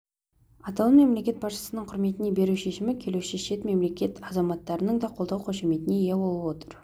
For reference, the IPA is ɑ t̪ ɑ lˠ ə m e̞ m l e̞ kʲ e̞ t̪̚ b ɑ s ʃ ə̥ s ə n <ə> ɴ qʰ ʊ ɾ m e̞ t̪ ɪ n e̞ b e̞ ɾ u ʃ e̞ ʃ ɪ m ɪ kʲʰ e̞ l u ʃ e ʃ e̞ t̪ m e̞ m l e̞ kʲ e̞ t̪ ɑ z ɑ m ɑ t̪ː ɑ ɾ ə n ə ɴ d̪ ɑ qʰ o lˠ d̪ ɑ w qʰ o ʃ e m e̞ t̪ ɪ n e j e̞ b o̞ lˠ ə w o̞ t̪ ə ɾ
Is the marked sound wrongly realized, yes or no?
no